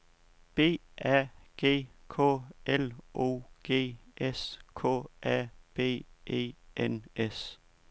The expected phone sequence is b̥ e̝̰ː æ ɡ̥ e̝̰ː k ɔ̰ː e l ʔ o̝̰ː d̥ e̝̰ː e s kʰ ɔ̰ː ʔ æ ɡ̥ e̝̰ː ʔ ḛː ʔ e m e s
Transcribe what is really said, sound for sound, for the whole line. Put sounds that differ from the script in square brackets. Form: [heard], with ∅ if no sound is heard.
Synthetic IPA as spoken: b̥ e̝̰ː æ ɡ̥ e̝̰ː [kʰ] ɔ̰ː e l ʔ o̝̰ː [ɡ̥] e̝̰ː e s kʰ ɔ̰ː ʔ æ [b̥] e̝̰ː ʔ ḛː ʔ e [n] e s